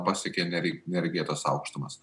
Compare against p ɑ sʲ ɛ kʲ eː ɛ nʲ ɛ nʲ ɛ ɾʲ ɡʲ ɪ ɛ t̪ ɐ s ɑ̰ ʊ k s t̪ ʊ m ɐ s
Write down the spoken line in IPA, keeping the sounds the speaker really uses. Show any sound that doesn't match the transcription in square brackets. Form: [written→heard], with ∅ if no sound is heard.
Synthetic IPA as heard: p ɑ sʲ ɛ kʲ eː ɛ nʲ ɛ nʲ ɛ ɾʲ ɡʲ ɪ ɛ t̪ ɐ s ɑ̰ ʊ k [s→ʃ] t̪ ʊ m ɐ s